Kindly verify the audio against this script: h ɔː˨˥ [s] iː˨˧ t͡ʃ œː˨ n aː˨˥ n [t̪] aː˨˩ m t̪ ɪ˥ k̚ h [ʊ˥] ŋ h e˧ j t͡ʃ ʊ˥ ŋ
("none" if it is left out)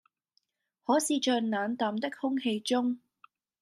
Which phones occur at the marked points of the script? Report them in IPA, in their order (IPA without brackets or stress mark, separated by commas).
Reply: s, t̪, ʊ˥